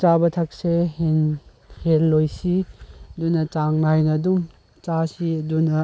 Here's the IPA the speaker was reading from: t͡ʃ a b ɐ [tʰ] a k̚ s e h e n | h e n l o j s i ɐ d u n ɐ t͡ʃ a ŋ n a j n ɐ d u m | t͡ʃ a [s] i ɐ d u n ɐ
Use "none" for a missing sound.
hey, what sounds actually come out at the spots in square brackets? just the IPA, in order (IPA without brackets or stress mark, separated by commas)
tʰ, s